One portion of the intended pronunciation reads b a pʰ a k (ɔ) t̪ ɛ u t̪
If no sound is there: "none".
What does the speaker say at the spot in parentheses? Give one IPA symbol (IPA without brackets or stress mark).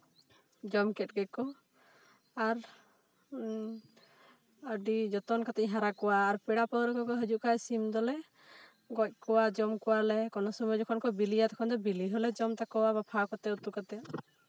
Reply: ɔ